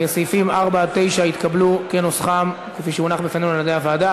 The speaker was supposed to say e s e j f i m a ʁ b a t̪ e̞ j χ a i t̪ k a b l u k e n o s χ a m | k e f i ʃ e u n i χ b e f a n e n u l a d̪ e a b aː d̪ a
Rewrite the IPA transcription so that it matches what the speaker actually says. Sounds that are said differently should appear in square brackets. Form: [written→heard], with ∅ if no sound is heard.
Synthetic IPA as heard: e s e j f i m a ʁ b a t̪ e̞ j [χ→ʃ] a i t̪ k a b l u k e n o s χ a m | k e f i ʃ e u n [i→a] χ b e f a n e n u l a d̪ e a [b→v] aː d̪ a